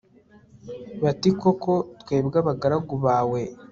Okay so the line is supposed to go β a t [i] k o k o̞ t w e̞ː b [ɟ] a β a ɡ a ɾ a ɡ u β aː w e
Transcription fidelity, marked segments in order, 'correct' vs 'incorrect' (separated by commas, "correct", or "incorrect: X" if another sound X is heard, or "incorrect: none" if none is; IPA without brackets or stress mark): correct, incorrect: ɡ